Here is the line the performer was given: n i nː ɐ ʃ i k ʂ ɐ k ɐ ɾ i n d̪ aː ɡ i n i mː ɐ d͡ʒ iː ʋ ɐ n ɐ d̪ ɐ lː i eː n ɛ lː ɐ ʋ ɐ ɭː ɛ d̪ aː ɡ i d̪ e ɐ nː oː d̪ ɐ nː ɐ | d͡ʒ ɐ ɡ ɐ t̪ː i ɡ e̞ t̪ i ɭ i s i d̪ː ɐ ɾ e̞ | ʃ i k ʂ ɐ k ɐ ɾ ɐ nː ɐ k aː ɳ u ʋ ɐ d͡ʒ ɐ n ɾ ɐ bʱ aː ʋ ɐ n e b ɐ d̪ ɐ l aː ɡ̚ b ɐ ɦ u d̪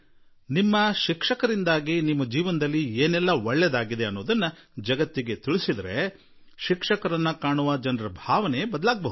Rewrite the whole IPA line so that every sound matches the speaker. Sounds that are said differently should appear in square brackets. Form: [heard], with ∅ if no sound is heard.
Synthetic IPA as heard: n i [mː] ɐ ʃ i k ʂ ɐ k ɐ ɾ i n d̪ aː ɡ i n i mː ɐ d͡ʒ iː ʋ ɐ n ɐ d̪ ɐ lː i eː n ɛ lː ɐ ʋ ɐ ɭː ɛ d̪ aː ɡ i d̪ e ɐ nː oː d̪ ɐ nː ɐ | d͡ʒ ɐ ɡ ɐ t̪ː i ɡ e̞ t̪ i ɭ i s i [d̪] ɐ ɾ e̞ | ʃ i k ʂ ɐ k ɐ ɾ ɐ nː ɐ k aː ɳ u ʋ ɐ d͡ʒ ɐ n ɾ ɐ bʱ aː ʋ ɐ n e b ɐ d̪ ɐ l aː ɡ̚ b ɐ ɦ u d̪